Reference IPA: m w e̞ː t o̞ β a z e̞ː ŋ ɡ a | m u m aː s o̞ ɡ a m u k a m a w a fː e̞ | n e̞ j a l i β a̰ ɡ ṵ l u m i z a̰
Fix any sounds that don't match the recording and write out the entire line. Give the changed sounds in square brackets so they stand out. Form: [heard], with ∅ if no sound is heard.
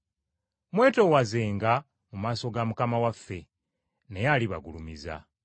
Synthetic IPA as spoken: m w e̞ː t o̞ [w] a z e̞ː ŋ ɡ a | m u m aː s o̞ ɡ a m u k a m a w a fː e̞ | n e̞ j a l i β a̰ ɡ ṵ l u m i z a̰